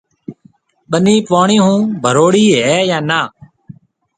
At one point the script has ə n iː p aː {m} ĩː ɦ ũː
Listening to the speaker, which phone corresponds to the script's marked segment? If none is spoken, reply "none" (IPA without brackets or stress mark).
ɳ